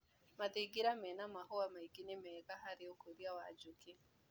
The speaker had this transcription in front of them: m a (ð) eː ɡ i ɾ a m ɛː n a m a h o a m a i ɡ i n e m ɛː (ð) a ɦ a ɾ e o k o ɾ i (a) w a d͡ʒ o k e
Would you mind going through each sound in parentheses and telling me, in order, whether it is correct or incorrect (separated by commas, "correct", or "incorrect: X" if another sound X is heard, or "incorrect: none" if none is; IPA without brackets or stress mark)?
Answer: correct, incorrect: ɣ, correct